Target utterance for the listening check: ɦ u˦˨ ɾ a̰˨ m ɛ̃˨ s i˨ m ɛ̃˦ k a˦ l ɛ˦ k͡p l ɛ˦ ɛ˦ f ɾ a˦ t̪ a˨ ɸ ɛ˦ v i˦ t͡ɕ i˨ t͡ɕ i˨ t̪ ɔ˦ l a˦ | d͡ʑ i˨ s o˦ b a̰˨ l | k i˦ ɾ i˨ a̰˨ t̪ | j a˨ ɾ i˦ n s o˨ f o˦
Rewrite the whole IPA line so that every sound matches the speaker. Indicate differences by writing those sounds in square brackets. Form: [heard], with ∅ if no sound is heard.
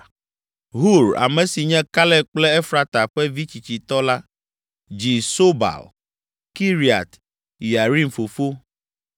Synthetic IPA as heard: ɦ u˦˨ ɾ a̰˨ m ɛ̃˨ s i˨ [ɲ] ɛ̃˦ k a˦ l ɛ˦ k͡p l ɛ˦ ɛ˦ f ɾ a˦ t̪ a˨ ɸ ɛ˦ v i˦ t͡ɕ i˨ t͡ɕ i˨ t̪ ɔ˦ l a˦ | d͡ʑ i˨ s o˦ b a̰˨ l | k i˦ ɾ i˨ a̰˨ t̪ | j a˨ ɾ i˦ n [f] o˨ f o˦